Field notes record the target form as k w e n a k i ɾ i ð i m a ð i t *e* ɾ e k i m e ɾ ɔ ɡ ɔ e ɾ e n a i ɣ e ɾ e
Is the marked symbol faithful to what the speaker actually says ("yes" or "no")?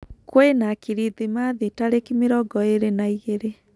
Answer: no